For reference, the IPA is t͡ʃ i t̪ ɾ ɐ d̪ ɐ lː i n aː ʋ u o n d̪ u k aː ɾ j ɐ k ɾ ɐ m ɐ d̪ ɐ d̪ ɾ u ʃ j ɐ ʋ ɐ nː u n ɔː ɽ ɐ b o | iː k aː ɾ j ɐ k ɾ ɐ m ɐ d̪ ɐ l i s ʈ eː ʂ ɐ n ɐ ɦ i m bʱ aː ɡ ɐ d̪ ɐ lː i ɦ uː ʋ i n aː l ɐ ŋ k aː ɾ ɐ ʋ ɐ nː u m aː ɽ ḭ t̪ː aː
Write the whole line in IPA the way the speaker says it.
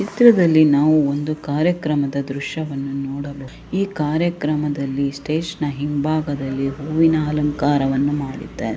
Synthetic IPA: t͡ʃ i t̪ ɾ ɐ d̪ ɐ lː i n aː ʋ u o n d̪ u k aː ɾ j ɐ k ɾ ɐ m ɐ d̪ ɐ d̪ ɾ u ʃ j ɐ ʋ ɐ nː u n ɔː ɽ ɐ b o | iː k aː ɾ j ɐ k ɾ ɐ m ɐ d̪ ɐ lː i s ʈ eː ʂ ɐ n ɐ ɦ i m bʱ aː ɡ ɐ d̪ ɐ lː i ɦ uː ʋ i n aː l ɐ ŋ k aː ɾ ɐ ʋ ɐ nː u m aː ɽ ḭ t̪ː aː